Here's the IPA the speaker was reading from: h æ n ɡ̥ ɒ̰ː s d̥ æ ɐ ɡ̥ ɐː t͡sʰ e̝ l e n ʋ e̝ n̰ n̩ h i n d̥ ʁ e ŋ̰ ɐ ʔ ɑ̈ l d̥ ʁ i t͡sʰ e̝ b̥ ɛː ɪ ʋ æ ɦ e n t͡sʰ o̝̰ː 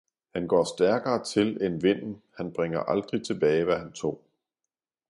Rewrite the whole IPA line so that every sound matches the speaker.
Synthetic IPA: h æ n ɡ̥ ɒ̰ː s d̥ æ ɐ ɡ̥ ɐː t͡sʰ e̝ l e n ʋ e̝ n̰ n̩ h æ n b̥ ʁ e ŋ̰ ɐ ʔ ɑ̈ l d̥ ʁ i t͡sʰ e̝ b̥ ɛː ɪ ʋ æ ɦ æ n t͡sʰ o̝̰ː